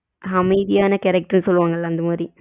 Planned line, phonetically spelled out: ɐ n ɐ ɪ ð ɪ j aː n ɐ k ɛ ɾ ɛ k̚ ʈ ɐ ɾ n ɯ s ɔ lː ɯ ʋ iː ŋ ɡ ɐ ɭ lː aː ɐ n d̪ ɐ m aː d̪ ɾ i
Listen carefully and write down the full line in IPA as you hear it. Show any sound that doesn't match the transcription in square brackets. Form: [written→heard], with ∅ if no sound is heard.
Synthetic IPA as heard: ɐ [n→m] ɐ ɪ ð ɪ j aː n ɐ k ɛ ɾ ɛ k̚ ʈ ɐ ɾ n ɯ s ɔ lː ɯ ʋ [iː→aː] ŋ ɡ ɐ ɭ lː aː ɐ n d̪ ɐ m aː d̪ ɾ i